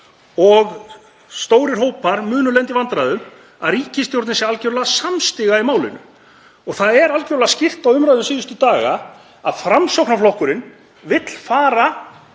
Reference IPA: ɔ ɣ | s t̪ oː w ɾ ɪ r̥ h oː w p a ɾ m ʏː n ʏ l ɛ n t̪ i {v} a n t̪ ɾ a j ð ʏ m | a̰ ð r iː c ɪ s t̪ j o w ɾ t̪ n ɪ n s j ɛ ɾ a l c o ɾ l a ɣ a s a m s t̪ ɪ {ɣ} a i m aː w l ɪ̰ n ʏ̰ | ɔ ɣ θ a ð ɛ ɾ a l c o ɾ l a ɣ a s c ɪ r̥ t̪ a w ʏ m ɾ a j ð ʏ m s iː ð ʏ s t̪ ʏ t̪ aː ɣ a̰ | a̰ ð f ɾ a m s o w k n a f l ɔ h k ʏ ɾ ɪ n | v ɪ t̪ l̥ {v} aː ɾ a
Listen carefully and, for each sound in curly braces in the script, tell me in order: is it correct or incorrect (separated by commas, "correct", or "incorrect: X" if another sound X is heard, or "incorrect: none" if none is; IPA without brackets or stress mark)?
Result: correct, correct, incorrect: f